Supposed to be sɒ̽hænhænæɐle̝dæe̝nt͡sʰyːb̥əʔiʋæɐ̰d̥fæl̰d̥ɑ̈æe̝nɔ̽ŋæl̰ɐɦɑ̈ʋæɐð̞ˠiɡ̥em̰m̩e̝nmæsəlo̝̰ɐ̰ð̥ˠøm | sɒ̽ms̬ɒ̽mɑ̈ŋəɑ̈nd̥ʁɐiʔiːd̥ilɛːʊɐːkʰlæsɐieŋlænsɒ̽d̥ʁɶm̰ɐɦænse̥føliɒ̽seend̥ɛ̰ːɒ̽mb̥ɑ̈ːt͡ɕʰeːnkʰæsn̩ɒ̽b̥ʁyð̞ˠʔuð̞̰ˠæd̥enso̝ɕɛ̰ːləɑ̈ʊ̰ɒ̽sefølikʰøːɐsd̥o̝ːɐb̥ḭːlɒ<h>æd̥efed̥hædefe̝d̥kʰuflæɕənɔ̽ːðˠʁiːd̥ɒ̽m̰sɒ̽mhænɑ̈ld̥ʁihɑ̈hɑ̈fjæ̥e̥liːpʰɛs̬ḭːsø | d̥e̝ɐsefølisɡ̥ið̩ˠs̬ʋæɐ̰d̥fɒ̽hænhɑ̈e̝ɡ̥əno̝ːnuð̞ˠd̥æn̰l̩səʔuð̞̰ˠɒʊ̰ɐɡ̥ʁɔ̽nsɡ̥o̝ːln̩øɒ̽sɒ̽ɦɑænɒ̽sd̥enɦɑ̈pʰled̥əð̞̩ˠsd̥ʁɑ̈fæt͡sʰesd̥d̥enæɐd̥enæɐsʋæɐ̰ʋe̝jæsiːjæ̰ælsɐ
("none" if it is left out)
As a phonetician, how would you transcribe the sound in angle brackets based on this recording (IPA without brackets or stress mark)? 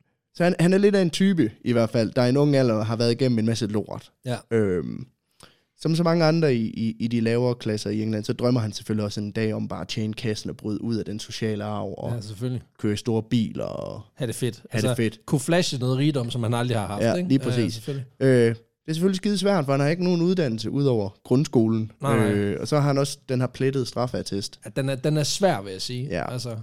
h